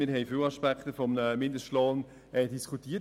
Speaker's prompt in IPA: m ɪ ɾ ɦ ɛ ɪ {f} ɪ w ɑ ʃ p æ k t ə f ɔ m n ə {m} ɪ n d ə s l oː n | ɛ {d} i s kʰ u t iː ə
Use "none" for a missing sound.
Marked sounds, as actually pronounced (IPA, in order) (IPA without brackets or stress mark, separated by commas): f, m, d